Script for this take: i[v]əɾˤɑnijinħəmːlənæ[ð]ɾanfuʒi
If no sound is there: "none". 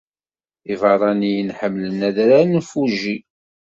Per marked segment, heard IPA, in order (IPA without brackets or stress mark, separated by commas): v, ð